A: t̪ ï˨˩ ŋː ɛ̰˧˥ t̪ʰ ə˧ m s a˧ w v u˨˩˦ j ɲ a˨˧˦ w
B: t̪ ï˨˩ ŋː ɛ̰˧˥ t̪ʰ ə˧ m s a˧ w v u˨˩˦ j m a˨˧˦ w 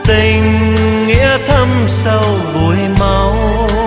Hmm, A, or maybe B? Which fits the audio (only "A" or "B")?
B